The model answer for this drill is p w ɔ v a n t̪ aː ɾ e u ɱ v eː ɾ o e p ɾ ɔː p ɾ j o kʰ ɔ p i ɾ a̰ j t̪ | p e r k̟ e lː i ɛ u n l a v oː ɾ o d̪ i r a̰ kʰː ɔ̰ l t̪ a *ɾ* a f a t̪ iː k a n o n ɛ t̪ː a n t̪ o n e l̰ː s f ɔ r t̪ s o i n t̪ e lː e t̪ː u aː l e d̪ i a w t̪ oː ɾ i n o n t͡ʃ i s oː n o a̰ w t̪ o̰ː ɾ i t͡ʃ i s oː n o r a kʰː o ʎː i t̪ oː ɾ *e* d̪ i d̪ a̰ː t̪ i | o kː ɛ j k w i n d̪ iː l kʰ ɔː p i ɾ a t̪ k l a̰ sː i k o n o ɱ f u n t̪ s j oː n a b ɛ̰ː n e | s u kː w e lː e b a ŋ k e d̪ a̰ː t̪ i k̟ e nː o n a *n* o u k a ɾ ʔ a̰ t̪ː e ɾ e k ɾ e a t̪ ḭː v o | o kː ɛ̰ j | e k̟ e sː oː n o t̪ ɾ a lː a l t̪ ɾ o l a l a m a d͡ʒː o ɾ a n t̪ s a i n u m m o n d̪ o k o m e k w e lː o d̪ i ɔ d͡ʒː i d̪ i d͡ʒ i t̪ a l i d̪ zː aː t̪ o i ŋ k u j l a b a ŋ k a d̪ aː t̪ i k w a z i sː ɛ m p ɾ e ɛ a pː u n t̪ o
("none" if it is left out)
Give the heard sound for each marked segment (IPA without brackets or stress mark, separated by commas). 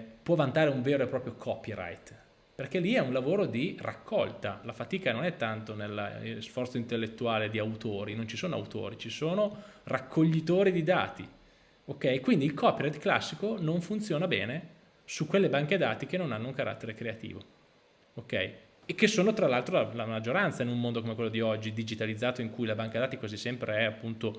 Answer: l, i, nː